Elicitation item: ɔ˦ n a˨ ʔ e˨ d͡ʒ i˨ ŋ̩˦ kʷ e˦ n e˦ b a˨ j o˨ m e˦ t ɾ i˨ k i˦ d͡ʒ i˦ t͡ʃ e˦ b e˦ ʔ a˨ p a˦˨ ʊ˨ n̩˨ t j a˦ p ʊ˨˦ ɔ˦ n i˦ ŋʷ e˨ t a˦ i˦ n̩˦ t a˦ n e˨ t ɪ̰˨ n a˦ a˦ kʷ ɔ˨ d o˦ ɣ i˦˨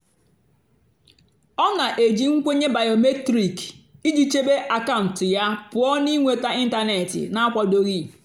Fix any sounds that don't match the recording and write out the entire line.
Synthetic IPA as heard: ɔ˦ n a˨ ʔ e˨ d͡ʒ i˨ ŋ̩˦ kʷ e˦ ɲ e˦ b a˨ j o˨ m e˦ t ɾ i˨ k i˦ d͡ʒ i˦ t͡ʃ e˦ b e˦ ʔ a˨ k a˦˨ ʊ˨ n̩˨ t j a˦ p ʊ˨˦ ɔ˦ n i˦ ŋʷ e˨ t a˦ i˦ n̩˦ t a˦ n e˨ t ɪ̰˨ n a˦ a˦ kʷ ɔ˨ d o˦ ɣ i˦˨